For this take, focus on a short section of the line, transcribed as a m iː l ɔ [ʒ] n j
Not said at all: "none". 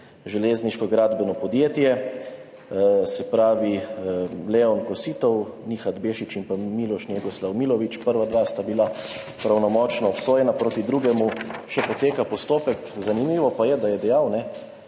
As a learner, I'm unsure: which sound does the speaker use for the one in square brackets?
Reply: ʃ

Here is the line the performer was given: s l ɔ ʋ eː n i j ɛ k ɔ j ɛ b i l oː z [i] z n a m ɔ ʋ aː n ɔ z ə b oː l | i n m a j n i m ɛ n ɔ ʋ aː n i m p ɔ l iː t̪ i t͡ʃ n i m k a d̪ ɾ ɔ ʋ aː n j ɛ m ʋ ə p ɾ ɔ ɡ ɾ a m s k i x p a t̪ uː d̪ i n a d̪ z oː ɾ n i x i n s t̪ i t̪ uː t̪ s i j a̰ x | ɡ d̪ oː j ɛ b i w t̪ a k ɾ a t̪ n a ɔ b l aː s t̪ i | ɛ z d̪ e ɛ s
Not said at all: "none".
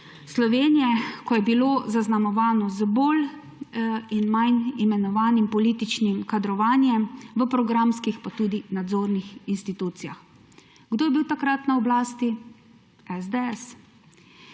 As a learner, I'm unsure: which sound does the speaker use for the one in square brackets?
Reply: a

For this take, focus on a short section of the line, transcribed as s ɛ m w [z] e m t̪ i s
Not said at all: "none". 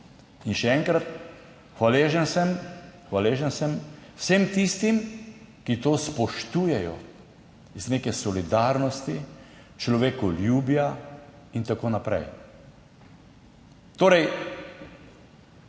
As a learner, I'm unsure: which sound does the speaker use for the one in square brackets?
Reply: s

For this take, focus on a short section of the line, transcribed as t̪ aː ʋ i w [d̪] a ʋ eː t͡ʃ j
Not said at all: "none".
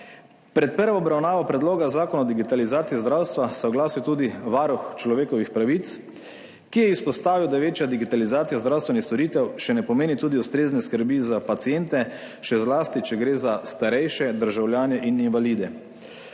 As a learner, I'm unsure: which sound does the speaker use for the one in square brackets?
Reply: d̪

